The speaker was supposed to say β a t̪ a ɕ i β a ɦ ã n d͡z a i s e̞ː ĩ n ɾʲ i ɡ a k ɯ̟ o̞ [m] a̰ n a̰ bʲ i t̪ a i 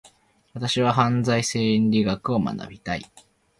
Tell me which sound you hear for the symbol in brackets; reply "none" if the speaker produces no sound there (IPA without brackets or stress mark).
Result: m